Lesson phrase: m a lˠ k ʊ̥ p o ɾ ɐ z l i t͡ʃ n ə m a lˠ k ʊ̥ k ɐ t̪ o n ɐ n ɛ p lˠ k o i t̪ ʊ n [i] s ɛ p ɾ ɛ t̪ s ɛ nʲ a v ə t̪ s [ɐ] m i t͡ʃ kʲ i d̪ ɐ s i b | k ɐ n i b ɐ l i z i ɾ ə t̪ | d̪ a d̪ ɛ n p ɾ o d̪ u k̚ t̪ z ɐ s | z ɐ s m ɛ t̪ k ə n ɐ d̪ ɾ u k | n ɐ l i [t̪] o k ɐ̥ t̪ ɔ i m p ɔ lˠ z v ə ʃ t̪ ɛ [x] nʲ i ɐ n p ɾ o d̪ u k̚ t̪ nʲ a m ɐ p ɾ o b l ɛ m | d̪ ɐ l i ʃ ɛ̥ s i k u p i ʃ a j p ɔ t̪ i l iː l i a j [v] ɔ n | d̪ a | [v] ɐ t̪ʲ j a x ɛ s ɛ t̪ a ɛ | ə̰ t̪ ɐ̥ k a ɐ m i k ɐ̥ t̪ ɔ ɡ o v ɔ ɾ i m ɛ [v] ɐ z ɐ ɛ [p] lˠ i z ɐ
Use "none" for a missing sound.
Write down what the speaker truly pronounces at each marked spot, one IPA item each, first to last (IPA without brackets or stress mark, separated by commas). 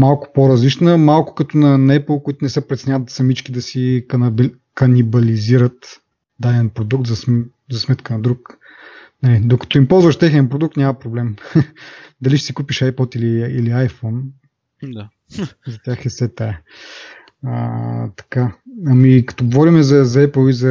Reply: ɛ, ɐ, d̪, x, f, z, z, p